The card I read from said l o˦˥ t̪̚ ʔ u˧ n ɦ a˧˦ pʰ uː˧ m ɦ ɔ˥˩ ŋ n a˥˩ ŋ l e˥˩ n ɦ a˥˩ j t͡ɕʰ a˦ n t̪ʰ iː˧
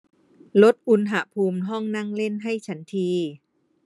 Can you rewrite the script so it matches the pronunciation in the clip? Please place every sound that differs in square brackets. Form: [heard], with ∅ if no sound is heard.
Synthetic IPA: l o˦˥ t̪̚ ʔ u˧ n ɦ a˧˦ pʰ uː˧ m ɦ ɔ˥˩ ŋ n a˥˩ ŋ l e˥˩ n ɦ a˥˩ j t͡ɕʰ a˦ n t̪ʰ iː˧